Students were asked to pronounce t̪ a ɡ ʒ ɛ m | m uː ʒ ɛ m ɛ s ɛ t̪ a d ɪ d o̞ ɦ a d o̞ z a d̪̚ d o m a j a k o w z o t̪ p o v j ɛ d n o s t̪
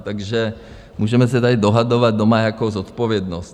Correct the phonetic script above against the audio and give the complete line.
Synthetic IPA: t̪ a ɡ ʒ ɛ | m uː ʒ ɛ m ɛ s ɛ t̪ a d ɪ d o̞ ɦ a d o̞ v a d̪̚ d o m a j a k o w z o t̪ p o v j ɛ d n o s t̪